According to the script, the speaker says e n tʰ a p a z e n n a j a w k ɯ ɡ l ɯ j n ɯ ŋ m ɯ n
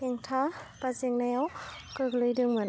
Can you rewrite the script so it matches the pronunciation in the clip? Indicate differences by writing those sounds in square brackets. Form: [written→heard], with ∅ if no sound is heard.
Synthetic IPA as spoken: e [n→ŋ] tʰ a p a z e [n→ŋ] n a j a w k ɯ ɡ l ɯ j [n→d] ɯ ŋ m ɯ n